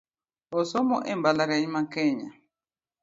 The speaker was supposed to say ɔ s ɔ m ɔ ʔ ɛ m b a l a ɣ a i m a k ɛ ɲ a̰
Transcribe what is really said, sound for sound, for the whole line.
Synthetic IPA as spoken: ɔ s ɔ m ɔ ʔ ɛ m b a l a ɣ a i m a k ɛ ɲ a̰